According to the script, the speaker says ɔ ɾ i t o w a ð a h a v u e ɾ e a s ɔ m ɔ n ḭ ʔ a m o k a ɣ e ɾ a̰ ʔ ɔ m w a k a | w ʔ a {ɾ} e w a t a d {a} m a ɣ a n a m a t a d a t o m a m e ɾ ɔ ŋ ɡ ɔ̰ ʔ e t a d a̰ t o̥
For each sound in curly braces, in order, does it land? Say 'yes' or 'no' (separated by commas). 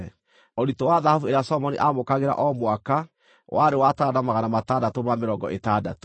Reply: yes, yes